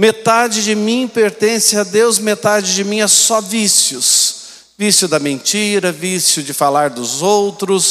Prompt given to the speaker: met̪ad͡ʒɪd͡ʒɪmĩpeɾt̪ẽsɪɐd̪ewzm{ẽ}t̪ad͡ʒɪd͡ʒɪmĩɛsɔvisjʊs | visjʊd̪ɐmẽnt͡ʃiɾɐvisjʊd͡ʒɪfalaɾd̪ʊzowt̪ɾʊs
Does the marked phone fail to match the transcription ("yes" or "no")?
yes